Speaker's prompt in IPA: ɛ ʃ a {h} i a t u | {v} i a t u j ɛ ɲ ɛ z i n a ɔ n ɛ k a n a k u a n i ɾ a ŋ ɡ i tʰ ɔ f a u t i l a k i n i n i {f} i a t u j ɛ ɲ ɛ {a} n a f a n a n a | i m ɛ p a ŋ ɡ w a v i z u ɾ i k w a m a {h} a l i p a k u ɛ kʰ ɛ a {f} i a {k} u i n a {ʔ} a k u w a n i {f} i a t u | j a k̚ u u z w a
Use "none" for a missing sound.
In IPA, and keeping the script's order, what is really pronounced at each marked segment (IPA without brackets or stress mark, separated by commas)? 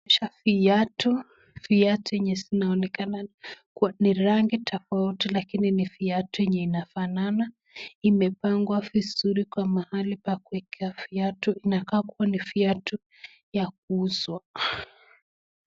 f, f, f, i, h, f, t, k, f